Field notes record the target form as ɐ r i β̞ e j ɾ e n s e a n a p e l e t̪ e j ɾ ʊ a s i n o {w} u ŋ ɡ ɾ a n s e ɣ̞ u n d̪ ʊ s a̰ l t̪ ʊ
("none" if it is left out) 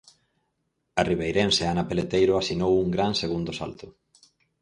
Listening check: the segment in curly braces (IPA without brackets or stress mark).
w